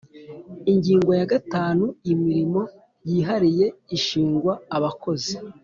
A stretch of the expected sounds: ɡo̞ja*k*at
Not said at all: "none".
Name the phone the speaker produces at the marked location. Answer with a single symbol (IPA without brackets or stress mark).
ɡ